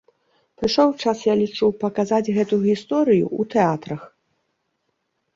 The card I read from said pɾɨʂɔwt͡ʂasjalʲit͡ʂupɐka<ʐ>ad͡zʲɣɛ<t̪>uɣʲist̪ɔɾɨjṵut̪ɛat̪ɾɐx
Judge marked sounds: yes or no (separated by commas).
no, yes